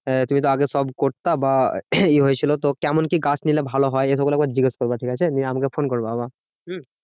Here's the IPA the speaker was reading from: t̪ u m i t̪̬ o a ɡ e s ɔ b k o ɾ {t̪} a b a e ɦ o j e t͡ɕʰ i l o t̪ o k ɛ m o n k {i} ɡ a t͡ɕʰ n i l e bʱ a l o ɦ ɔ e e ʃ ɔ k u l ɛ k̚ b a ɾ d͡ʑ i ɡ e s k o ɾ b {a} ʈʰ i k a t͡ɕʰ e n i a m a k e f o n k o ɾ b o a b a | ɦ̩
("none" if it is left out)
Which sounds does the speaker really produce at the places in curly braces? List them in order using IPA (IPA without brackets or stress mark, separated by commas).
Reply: t̪, i, a